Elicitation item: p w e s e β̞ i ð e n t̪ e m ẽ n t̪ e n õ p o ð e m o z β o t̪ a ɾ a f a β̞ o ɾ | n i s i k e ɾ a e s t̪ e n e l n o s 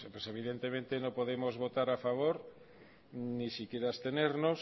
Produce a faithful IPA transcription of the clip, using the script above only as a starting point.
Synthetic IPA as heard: p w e s e β̞ i ð e n t̪ e m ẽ n t̪ e n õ p o ð e m o z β o t̪ a ɾ a f a β̞ o ɾ | n i s i k e ɾ a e s t̪ e n e ɾ n o s